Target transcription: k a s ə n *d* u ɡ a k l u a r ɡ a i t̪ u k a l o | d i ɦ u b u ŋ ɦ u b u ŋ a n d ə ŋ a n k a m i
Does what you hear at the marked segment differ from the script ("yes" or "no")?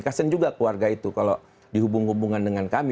yes